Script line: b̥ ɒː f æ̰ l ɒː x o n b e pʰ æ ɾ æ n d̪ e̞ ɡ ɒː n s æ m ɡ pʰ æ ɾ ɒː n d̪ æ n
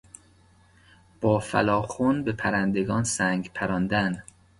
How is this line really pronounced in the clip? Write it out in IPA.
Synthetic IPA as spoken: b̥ ɒː f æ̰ l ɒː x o n b e pʰ æ ɾ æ n d̪ e̞ ɡ ɒː n s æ ŋ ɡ pʰ æ ɾ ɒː n d̪ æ n